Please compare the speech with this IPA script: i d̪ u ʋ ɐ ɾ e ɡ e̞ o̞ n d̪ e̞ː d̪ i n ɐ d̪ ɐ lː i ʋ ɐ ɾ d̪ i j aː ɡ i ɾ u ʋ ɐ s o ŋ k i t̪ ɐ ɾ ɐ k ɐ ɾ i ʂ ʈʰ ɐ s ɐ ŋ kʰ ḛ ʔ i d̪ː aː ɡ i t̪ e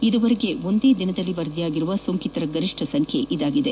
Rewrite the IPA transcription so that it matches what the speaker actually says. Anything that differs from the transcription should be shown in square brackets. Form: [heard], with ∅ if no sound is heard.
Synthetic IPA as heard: i d̪ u ʋ ɐ ɾ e ɡ e̞ o̞ n d̪ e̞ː d̪ i n ɐ d̪ ɐ lː i ʋ ɐ ɾ d̪ i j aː ɡ i ɾ u ʋ ɐ s o ŋ k i t̪ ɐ ɾ ɐ [ɡ] ɐ ɾ i ʂ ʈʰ ɐ s ɐ ŋ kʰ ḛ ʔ i [d̪] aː ɡ i [d̪] e